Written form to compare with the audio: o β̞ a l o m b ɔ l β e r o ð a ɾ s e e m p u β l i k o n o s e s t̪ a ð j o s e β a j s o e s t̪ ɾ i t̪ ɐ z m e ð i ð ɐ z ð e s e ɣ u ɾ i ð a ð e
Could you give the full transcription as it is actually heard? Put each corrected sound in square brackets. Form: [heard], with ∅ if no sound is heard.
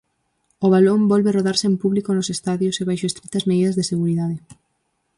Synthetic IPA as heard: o β̞ a l o m b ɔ l β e r o ð a ɾ s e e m p u β l i k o n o s e s t̪ a ð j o s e β a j [ʃ] o e s t̪ ɾ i t̪ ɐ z m e ð i ð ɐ z ð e s e ɣ u ɾ i ð a ð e